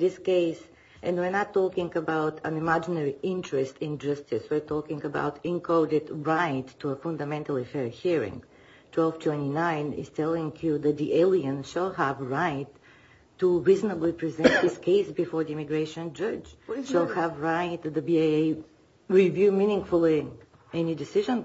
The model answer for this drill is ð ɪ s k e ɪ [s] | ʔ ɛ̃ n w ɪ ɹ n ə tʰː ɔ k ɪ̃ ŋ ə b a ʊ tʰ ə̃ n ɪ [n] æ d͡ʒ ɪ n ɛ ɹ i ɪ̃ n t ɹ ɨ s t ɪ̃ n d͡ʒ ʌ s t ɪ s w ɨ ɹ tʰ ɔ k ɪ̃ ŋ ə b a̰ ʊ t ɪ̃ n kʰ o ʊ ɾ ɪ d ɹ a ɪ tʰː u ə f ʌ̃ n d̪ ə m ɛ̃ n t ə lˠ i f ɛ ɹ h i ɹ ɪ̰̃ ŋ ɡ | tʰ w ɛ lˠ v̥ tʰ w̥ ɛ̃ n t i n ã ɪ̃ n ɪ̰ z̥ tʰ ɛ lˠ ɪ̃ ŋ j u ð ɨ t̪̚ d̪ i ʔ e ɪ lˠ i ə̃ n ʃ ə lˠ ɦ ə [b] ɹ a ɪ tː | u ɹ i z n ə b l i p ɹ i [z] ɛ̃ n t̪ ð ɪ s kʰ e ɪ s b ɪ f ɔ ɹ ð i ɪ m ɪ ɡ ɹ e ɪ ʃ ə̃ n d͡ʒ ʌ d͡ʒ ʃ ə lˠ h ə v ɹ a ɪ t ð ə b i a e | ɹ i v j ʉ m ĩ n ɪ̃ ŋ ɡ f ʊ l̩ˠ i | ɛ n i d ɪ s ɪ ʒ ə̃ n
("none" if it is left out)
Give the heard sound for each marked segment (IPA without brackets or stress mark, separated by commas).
s, m, v, z